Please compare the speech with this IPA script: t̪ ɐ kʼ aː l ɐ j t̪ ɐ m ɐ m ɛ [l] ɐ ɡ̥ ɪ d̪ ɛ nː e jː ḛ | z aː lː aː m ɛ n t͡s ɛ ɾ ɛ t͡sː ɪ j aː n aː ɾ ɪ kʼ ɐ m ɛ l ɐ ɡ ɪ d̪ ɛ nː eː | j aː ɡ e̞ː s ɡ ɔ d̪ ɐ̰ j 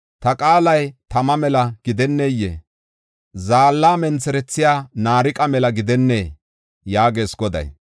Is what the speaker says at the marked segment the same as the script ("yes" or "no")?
yes